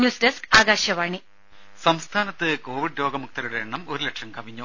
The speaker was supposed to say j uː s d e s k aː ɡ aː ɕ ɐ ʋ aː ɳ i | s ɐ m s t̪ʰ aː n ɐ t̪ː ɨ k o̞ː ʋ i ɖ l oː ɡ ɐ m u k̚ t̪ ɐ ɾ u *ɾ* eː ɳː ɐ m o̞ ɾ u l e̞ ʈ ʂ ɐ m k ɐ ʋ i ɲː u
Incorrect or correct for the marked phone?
incorrect: ɽ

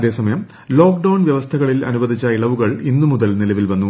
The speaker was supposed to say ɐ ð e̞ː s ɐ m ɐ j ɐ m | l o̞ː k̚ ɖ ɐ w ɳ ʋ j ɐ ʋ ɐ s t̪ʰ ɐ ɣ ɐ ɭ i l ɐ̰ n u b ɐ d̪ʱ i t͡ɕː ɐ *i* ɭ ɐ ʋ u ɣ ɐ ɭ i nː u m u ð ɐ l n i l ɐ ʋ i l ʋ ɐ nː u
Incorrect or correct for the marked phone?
correct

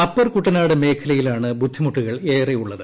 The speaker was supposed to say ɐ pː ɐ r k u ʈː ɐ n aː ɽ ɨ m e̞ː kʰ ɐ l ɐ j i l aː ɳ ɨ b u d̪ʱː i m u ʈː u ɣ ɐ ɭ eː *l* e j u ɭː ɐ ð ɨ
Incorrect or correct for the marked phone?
incorrect: r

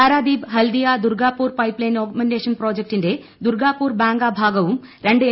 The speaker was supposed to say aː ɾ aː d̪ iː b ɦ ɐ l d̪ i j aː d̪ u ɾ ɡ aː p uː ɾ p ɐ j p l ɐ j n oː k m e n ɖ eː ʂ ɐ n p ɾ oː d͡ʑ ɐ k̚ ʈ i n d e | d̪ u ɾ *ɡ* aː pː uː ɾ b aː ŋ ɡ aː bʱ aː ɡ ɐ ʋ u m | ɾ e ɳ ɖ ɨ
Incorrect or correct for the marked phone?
correct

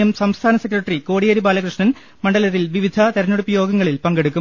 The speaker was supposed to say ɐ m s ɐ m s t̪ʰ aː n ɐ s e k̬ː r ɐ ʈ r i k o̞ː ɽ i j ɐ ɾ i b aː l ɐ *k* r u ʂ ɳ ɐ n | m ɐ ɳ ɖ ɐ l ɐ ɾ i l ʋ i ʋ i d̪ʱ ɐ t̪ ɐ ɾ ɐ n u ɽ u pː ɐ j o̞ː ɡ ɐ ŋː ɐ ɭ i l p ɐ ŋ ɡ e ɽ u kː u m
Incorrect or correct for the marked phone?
correct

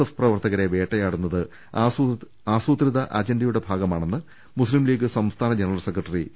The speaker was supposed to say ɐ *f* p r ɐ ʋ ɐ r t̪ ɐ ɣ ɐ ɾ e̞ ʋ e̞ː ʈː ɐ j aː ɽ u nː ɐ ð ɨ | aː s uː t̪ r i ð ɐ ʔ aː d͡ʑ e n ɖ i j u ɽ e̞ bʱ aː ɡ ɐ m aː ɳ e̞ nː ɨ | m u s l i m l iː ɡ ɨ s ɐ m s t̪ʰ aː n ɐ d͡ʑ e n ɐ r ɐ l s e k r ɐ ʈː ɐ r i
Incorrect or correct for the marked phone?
correct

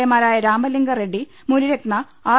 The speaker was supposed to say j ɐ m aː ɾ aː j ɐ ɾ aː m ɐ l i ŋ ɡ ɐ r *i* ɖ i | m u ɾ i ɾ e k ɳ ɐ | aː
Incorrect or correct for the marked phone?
incorrect: e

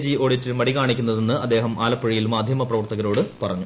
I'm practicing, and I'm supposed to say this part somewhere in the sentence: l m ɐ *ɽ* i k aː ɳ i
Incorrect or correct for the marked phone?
correct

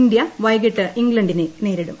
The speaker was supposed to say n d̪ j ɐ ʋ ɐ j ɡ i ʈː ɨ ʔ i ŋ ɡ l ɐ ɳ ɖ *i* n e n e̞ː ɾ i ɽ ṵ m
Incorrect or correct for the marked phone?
correct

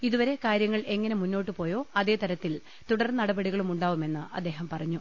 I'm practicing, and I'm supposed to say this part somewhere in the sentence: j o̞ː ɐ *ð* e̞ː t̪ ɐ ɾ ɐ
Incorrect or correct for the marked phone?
correct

